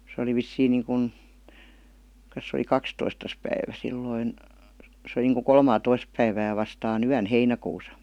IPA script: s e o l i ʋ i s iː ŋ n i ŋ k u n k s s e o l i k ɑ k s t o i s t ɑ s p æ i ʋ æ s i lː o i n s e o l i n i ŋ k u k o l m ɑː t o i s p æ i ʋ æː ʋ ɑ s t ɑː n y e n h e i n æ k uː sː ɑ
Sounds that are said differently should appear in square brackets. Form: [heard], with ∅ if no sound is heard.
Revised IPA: s e o l i ʋ i [sː] iː ŋ n [iː] ŋ k u n k s s e o l i k ɑ k s t o i s t ɑ s p æ i ʋ æ s i lː o i n s e o l i n [iː] ŋ k u k o l m ɑː t o i s p æ i ʋ æː ʋ ɑ s t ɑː n y [æ] n h e i n æ k uː [s] ɑ